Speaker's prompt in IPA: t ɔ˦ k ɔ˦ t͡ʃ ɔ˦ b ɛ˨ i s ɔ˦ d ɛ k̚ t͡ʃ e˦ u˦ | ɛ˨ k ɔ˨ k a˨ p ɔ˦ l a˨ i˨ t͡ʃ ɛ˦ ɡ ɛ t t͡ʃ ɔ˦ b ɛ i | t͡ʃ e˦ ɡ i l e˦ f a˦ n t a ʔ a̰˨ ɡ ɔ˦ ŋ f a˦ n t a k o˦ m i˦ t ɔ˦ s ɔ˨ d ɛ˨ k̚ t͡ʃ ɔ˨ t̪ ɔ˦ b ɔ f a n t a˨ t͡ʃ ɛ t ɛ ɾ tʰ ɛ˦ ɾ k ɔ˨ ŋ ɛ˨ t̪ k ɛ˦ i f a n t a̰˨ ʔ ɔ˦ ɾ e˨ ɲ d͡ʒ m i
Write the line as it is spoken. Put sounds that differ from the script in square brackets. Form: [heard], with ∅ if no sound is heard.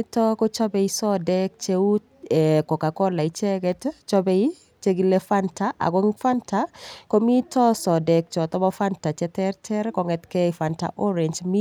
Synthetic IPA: t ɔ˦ k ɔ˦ t͡ʃ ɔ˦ b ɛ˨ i s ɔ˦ d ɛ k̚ t͡ʃ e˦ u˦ | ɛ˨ k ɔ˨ k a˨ [k] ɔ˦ l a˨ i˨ t͡ʃ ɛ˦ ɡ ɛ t t͡ʃ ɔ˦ b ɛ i | t͡ʃ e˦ ɡ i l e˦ f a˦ n t a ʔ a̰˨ ɡ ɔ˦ ŋ f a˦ n t a k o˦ m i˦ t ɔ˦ s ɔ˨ d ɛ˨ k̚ t͡ʃ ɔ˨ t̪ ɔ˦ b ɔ f a n t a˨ t͡ʃ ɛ t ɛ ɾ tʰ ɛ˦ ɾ k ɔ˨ ŋ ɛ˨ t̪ k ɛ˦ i f a n t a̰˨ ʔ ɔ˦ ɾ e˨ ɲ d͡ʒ m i